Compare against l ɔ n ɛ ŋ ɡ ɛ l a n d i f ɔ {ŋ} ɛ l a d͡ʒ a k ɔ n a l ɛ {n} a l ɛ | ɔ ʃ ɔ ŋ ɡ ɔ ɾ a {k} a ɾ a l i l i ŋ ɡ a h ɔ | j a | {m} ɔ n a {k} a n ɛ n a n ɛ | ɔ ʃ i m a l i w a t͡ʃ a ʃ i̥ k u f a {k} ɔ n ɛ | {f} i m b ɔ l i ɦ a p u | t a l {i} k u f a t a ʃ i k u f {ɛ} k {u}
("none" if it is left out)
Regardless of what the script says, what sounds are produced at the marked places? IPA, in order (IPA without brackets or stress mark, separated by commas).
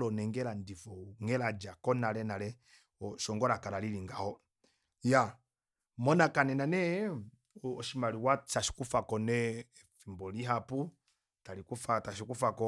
ŋ, n, k, m, k, k, f, i, a, ɔ